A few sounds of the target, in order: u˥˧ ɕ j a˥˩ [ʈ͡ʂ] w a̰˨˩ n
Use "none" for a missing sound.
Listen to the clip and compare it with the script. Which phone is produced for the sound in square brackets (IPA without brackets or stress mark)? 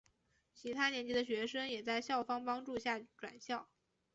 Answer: ʈ͡ʂ